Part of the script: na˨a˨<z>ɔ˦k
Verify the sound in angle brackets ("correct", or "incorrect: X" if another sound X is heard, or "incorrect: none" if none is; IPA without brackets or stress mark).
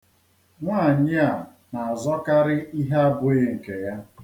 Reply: correct